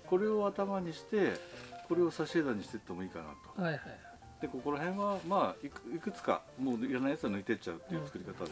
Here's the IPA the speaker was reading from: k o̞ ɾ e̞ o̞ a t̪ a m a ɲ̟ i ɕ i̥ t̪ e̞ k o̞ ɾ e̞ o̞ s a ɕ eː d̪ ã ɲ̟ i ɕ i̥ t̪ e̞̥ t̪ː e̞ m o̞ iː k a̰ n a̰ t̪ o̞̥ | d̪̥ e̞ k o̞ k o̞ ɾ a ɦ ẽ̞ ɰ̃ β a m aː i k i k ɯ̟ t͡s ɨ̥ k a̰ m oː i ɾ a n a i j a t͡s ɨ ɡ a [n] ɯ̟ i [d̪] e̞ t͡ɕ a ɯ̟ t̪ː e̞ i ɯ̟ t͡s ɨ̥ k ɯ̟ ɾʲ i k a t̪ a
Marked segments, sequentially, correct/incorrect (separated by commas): correct, incorrect